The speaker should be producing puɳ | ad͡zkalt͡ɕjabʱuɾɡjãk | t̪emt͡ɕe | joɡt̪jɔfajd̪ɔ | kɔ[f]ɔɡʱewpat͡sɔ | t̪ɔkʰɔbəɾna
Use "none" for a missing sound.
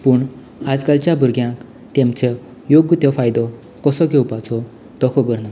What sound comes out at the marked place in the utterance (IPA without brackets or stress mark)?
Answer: s